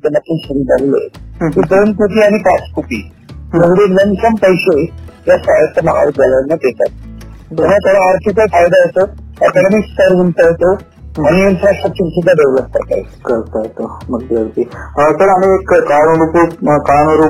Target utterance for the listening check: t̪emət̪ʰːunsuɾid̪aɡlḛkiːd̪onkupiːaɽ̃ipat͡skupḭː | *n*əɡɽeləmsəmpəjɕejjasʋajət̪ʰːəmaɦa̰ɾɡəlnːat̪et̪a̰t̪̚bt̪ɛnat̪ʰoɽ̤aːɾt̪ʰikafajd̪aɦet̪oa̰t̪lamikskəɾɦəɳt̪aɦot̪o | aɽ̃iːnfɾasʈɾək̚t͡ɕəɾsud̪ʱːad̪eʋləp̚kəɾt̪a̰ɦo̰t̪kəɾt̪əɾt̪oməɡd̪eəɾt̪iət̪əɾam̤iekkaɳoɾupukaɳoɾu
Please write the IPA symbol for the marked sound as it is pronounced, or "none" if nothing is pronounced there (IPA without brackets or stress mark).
m